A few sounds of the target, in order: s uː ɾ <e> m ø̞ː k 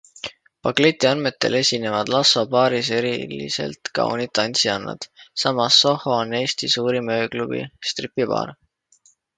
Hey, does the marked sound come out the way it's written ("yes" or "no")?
no